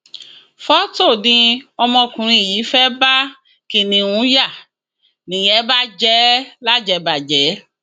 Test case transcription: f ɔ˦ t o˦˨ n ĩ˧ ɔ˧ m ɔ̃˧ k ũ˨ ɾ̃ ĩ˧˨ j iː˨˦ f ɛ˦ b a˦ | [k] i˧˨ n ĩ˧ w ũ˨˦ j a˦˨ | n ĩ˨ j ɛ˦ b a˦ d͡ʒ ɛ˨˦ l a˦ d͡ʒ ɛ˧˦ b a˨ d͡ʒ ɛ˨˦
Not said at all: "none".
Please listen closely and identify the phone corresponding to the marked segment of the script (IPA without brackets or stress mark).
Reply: k